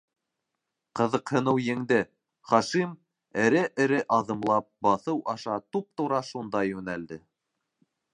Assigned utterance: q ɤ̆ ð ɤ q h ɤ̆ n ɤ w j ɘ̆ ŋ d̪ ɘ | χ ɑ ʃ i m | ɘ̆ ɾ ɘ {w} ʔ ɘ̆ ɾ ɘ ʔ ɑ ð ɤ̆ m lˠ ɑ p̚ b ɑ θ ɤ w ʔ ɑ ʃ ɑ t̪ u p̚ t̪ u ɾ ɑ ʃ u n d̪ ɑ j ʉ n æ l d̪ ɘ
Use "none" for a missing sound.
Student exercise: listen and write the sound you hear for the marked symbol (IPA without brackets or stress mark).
none